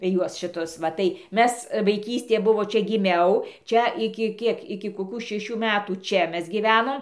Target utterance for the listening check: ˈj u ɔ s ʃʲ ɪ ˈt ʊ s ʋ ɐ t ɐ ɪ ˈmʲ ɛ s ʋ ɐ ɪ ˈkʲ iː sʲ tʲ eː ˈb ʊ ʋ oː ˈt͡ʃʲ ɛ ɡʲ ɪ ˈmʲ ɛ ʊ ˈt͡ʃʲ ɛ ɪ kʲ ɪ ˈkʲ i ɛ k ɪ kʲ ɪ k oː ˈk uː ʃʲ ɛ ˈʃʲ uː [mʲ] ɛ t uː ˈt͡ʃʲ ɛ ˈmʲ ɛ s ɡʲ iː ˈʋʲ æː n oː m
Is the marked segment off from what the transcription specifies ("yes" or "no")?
no